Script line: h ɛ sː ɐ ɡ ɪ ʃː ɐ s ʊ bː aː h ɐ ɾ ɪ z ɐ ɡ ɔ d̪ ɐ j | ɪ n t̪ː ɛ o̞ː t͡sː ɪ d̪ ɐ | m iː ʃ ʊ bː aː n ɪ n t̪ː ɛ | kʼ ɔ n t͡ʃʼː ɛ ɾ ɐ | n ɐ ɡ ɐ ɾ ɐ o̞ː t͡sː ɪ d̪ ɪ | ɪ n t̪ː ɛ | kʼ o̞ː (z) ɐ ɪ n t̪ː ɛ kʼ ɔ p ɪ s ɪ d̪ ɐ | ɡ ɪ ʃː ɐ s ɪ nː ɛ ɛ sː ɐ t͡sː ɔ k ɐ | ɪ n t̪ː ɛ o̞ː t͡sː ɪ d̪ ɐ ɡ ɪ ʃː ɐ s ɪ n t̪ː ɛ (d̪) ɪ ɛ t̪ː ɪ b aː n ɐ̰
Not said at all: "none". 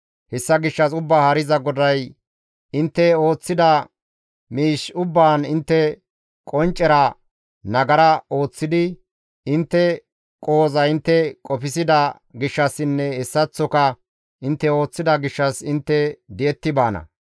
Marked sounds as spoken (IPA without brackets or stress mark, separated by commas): z, d̪